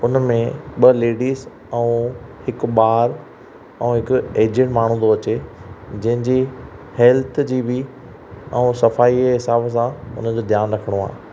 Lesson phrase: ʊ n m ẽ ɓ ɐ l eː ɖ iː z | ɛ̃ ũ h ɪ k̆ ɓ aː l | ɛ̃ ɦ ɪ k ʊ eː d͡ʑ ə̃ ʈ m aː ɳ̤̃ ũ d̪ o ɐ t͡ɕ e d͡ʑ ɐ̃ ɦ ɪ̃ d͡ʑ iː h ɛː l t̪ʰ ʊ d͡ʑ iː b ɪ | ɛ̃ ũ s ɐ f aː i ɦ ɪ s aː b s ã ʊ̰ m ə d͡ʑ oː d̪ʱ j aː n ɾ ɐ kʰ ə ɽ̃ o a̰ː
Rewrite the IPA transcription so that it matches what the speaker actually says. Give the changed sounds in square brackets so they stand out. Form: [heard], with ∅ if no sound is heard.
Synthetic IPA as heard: ʊ n m ẽ ɓ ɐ l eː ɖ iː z | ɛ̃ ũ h ɪ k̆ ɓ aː [ɾ] | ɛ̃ ɦ ɪ k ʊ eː d͡ʑ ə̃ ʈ m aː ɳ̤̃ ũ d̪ o ɐ t͡ɕ e d͡ʑ ɐ̃ ɦ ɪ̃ d͡ʑ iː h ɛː l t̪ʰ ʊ d͡ʑ iː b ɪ | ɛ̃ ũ s ɐ f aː i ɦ ɪ s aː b s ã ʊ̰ [n] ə d͡ʑ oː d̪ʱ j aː n ɾ ɐ kʰ ə ɽ̃ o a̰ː